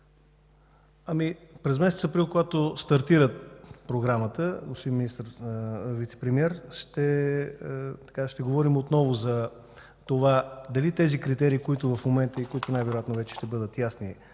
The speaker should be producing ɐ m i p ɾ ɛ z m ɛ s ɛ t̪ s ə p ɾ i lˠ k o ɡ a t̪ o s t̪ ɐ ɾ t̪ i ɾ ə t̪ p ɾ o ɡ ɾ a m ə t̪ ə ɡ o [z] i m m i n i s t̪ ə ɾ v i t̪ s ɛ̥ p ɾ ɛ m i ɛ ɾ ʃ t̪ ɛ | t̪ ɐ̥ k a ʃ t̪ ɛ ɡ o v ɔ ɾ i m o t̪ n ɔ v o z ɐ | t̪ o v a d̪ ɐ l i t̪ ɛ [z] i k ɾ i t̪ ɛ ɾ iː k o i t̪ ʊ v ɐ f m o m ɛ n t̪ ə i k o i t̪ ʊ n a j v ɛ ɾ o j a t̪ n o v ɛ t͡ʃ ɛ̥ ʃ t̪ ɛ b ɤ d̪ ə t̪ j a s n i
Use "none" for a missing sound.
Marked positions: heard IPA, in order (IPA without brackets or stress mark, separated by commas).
s, z